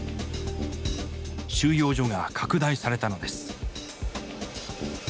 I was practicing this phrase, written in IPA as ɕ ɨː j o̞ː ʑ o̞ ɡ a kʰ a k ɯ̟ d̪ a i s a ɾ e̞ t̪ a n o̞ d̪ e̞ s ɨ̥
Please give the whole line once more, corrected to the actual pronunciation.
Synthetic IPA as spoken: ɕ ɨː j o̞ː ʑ o̞ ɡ a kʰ a k ɯ̟ d̪ a i s a ɾ e̞ t̪ a n o̞ d̪ e̞ s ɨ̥